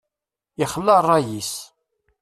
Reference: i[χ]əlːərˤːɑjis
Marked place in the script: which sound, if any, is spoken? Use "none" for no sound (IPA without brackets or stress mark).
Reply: χ